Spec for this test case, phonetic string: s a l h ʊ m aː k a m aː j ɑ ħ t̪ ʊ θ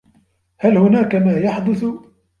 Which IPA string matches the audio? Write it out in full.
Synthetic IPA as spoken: h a l h ʊ n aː k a m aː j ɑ ħ d̪ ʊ θ